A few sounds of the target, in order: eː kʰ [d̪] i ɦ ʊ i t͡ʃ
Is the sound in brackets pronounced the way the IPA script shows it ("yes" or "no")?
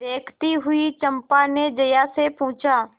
no